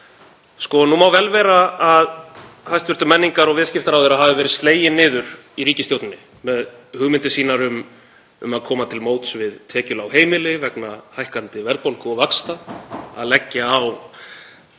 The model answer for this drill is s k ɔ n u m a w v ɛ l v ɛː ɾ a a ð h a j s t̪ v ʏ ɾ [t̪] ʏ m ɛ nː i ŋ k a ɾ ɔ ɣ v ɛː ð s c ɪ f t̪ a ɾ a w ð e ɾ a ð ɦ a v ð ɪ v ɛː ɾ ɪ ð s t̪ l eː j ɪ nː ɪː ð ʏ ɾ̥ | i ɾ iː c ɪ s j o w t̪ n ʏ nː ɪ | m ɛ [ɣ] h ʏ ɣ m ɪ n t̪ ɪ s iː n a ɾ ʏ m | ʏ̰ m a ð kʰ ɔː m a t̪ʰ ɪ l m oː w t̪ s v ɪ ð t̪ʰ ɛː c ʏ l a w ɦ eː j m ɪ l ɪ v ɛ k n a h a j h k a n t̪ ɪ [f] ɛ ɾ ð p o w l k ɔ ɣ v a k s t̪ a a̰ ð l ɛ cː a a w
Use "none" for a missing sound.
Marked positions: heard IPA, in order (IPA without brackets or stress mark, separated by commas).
t̪, ð, v